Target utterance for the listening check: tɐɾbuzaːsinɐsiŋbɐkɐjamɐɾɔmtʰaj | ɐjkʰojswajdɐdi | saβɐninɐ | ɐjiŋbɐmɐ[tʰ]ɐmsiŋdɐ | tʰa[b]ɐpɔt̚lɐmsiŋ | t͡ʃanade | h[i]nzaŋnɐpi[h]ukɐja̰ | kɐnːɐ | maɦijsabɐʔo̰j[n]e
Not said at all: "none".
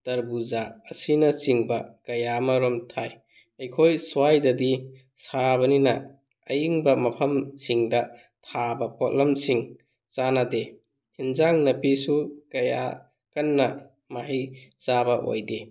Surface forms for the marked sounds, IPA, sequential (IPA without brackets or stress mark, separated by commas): pʰ, b, i, s, d